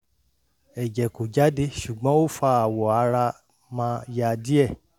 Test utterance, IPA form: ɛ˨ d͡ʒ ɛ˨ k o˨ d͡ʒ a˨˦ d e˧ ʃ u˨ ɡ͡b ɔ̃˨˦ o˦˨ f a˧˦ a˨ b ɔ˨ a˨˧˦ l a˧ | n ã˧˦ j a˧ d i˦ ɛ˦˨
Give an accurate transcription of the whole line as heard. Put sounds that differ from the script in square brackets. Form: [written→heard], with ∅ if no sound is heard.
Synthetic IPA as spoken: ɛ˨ d͡ʒ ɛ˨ k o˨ d͡ʒ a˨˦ d e˧ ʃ u˨ ɡ͡b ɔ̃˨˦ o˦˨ f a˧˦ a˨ [b→w] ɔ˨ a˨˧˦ [l→ɾ] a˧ | [n→m] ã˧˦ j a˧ d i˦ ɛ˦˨

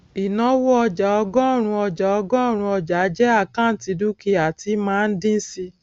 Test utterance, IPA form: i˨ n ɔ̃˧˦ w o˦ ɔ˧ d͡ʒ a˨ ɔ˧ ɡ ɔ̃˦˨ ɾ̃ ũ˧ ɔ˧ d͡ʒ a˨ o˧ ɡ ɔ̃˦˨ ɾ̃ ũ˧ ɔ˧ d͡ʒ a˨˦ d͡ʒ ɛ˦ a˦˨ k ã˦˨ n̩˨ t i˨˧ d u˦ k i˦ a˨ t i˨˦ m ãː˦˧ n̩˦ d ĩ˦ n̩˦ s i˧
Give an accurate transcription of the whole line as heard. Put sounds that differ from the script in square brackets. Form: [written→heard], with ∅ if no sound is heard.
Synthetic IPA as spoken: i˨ n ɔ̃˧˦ w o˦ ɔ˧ d͡ʒ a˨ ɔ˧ ɡ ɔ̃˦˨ ɾ̃ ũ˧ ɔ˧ d͡ʒ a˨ [o˧→ɔ˧] ɡ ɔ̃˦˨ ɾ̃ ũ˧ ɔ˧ d͡ʒ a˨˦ d͡ʒ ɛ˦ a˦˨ k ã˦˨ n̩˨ t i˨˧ d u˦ k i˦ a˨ t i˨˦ m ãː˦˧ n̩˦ d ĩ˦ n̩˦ s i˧

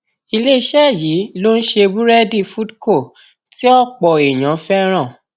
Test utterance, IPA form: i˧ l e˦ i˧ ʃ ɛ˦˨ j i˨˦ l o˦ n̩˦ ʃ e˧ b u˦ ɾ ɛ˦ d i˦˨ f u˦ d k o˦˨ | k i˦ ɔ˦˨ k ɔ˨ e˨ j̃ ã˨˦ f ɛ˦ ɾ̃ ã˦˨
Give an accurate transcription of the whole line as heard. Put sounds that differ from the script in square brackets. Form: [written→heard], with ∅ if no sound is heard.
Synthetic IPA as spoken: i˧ l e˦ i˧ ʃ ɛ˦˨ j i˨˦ l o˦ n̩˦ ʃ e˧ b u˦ ɾ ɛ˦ d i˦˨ f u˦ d k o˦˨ | [k→t] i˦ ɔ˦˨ [k→k͡p] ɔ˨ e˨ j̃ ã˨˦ f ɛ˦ ɾ̃ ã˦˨

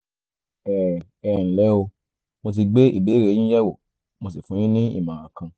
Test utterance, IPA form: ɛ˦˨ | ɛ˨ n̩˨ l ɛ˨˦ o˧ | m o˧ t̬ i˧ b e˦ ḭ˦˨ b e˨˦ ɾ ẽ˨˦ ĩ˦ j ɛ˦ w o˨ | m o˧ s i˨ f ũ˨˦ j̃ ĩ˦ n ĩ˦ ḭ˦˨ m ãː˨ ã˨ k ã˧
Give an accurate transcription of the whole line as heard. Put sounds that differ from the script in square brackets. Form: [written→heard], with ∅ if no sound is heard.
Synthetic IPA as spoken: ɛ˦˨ | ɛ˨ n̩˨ l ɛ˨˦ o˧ | m o˧ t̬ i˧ [b→ɡ͡b] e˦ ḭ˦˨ b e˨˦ ɾ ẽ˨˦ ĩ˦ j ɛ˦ w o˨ | m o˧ s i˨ f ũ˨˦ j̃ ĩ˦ n ĩ˦ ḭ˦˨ m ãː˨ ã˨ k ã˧

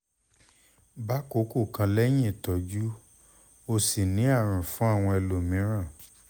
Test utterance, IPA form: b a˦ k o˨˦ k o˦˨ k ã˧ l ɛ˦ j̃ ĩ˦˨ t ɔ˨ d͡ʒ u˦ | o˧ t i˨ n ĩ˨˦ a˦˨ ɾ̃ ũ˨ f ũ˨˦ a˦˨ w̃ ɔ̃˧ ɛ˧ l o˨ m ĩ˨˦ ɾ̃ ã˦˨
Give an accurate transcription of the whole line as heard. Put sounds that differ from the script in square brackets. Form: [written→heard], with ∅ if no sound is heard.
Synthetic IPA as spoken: b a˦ k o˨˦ k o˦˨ k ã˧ l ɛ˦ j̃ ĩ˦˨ t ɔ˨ d͡ʒ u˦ | o˧ [t→s] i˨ n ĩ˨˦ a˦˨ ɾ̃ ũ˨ f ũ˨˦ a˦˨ w̃ ɔ̃˧ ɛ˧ l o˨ m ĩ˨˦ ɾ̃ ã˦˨

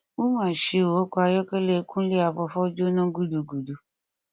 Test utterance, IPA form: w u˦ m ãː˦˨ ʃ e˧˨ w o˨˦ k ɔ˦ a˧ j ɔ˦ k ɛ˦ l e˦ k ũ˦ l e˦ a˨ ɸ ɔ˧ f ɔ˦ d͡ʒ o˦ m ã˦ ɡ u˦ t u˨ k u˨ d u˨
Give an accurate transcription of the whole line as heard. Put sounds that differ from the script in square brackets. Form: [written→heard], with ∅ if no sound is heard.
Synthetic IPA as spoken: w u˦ m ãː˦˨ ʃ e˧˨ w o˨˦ k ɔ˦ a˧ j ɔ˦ k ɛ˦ l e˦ k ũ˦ l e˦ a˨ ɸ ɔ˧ f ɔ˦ d͡ʒ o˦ [m→n] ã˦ ɡ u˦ [t→d] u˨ [k→ɡ] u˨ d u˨

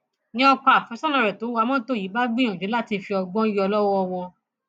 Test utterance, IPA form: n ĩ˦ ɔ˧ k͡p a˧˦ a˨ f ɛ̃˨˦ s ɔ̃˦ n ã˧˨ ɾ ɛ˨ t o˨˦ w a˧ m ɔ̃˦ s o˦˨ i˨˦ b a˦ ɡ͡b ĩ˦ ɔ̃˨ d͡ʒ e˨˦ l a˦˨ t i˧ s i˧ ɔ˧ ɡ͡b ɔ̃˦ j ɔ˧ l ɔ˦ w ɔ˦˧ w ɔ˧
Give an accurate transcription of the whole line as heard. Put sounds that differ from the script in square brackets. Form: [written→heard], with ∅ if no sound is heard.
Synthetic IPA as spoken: n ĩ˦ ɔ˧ k͡p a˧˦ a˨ f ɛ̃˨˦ s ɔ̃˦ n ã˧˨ ɾ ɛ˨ t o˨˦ w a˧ m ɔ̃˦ [s→t] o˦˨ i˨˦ b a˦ ɡ͡b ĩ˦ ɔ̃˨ d͡ʒ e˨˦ l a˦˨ t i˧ [s→f] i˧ ɔ˧ ɡ͡b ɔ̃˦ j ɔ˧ l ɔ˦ w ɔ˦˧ w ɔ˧

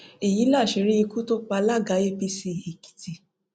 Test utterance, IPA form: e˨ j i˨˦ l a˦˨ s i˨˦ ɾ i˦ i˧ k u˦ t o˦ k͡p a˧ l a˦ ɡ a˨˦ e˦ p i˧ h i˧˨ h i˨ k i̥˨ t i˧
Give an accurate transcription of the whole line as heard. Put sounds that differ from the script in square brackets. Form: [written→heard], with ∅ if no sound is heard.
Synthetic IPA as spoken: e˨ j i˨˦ l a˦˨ [s→ʃ] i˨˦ ɾ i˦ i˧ k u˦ t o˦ k͡p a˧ l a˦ ɡ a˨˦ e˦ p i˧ [h→s] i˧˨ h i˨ k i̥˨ t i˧

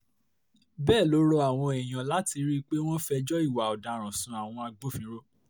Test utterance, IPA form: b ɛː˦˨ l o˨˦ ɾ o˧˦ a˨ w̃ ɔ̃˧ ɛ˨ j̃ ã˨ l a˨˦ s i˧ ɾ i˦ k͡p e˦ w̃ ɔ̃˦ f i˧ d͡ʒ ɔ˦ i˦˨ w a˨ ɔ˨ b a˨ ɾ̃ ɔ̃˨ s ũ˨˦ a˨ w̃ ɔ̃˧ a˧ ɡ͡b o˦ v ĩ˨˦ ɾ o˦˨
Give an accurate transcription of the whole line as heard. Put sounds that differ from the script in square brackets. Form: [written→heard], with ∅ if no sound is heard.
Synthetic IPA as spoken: b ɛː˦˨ l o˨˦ ɾ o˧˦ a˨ w̃ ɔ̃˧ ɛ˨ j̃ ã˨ l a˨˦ [s→t] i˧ ɾ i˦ k͡p e˦ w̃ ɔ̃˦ f [i˧→ɛ˧] d͡ʒ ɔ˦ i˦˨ w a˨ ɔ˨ [b→d] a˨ ɾ̃ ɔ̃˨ s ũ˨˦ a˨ w̃ ɔ̃˧ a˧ ɡ͡b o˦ [v→f] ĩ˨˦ ɾ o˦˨

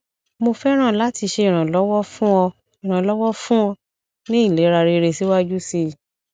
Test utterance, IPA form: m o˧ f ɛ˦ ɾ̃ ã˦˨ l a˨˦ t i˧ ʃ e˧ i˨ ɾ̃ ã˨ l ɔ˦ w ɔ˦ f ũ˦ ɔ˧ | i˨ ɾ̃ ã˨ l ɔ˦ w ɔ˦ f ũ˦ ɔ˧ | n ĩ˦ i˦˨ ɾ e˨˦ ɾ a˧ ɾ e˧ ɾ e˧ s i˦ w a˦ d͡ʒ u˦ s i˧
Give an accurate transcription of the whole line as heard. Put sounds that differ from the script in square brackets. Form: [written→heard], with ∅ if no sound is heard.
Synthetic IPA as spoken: m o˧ f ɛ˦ ɾ̃ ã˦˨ l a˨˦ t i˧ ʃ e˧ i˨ ɾ̃ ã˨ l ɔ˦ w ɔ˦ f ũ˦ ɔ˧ | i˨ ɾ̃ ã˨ l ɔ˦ w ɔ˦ f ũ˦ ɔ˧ | n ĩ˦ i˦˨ [ɾ→l] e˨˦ ɾ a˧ ɾ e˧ ɾ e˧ s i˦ w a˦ d͡ʒ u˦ s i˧

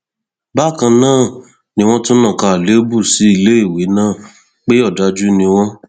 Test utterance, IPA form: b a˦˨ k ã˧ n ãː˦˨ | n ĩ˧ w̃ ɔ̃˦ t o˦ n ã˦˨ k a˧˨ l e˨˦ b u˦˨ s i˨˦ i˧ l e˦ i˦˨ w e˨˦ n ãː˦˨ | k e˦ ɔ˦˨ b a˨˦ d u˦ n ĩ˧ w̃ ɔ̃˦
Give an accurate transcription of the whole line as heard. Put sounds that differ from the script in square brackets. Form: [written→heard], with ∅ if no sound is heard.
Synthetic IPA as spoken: b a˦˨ k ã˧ n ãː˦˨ | n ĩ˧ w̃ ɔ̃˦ t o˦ n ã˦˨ k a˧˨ l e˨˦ b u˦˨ s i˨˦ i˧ l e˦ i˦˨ w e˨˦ n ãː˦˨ | [k→k͡p] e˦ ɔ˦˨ [b→d] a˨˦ [d→d͡ʒ] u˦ n ĩ˧ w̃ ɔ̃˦

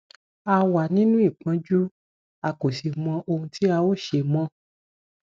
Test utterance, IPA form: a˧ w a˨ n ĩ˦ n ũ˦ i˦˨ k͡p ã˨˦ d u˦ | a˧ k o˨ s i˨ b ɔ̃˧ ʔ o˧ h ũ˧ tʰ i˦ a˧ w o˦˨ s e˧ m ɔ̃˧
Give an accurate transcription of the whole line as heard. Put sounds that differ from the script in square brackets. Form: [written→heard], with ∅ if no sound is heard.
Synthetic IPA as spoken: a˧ w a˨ n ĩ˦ n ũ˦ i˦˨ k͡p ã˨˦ [d→d͡ʒ] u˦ | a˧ k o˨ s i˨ [b→m] ɔ̃˧ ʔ o˧ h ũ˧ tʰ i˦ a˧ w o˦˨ [s→ʃ] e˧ m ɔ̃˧

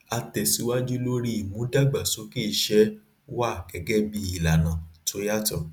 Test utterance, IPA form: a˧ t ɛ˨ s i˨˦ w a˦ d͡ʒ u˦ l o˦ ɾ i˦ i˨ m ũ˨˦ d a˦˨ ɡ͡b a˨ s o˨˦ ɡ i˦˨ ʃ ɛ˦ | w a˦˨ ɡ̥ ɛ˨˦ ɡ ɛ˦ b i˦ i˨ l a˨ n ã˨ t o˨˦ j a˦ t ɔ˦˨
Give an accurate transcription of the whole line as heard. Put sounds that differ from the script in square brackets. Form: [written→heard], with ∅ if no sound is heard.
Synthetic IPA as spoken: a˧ t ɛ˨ s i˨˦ w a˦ d͡ʒ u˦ l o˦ ɾ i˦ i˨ m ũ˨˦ d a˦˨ ɡ͡b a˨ s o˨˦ [ɡ→k] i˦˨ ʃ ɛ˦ | w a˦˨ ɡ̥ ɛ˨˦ ɡ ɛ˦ b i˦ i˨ l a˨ n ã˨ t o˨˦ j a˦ t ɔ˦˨

